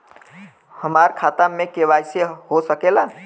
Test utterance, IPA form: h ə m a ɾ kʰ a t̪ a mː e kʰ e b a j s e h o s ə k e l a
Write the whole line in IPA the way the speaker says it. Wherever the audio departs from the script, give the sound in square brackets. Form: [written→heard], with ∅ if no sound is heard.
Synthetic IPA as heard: h ə m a ɾ kʰ a t̪ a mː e [kʰ→k] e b a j s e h o s ə k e l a